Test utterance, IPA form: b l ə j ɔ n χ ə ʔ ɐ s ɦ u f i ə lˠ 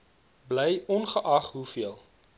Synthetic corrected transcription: b l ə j ɔ n χ ə ʔ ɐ χ ɦ u f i ə lˠ